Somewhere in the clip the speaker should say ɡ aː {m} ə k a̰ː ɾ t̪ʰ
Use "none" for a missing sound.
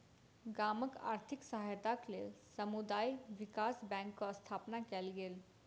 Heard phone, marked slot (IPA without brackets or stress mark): m